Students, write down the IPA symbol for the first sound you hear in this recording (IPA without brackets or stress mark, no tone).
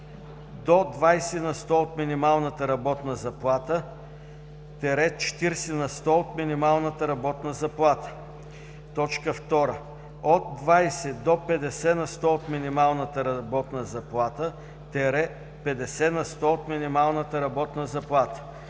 d̪